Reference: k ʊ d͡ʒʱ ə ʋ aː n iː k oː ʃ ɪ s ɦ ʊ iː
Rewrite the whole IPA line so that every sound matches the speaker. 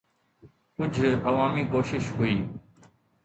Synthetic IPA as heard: k ʊ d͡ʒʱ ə ʋ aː m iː k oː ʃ ɪ ʃ ɦ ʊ iː